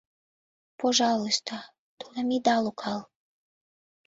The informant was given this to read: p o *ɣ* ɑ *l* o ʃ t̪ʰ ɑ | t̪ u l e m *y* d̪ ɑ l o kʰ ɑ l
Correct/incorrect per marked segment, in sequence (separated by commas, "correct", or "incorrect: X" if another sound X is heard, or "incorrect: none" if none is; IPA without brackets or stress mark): incorrect: ʒ, correct, incorrect: i